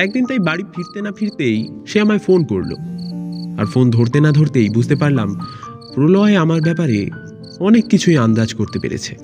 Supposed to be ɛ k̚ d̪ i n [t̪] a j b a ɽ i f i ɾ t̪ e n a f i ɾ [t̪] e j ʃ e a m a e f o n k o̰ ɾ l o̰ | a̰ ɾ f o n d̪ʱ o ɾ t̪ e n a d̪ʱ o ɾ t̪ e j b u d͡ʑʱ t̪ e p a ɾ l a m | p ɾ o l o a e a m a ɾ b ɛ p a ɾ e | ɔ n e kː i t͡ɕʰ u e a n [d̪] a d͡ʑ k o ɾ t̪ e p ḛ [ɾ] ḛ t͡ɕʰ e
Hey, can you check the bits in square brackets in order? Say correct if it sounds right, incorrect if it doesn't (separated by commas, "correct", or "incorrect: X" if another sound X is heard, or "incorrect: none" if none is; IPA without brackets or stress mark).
correct, correct, correct, correct